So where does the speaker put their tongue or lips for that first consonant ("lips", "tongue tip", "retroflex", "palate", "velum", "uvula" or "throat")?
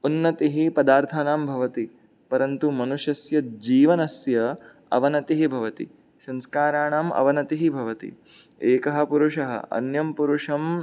tongue tip